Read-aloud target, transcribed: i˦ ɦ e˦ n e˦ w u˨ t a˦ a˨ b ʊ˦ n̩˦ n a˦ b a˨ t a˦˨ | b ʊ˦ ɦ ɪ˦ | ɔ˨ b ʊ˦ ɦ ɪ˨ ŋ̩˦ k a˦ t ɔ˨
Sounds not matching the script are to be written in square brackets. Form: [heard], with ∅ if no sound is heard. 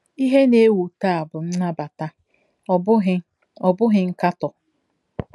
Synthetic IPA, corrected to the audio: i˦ ɦ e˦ n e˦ w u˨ t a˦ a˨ b [ʊ˨] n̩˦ n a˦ b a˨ t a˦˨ | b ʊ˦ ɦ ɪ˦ | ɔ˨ b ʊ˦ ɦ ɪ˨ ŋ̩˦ k a˦ t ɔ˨